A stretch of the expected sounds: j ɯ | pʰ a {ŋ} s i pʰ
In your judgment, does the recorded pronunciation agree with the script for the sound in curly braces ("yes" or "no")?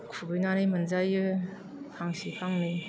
yes